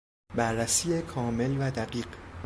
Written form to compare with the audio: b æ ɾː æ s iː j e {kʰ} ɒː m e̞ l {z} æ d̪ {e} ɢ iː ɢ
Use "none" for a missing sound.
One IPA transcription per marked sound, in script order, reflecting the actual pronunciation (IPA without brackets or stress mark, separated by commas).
kʰ, v, æ